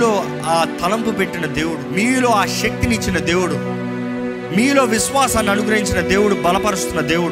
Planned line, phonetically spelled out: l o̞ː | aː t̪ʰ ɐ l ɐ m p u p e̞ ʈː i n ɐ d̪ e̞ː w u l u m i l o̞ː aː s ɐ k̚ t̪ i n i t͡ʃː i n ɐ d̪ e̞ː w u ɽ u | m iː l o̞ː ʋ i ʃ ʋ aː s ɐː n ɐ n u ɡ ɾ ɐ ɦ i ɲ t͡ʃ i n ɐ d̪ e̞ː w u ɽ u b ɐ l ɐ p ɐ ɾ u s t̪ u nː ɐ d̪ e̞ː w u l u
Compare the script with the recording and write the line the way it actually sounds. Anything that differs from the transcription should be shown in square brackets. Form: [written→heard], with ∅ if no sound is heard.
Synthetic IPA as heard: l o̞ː | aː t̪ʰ ɐ l ɐ m p u p e̞ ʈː i n ɐ d̪ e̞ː w u [l→ɽ] u m [i→iː] l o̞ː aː [s→ʃ] ɐ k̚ t̪ i n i t͡ʃː i n ɐ d̪ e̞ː w u ɽ u | m iː l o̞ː ʋ i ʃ ʋ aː s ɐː n ɐ n u ɡ ɾ ɐ ɦ i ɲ t͡ʃ i n ɐ d̪ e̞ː w u ɽ u b ɐ l ɐ p ɐ ɾ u s t̪ u nː ɐ d̪ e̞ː w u [l→ɽ] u